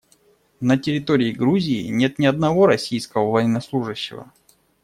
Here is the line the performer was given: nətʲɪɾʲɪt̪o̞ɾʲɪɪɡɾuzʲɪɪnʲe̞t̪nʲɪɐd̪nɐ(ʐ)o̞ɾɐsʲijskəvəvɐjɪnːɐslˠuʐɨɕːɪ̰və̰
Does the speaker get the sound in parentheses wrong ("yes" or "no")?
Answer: yes